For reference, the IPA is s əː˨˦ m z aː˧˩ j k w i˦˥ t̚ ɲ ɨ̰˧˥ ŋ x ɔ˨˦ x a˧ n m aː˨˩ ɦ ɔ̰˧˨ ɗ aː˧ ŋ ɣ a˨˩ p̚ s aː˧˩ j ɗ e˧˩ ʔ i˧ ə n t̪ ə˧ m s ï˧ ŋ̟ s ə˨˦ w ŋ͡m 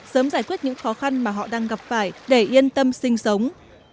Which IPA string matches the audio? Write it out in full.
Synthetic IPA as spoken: s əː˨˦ m z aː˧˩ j k w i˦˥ t̚ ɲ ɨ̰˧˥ ŋ x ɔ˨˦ x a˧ n m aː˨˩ ɦ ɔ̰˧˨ ɗ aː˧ ŋ ɣ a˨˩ p̚ f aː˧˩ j ɗ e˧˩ ʔ i˧ ə n t̪ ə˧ m s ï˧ ŋ̟ s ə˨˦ w ŋ͡m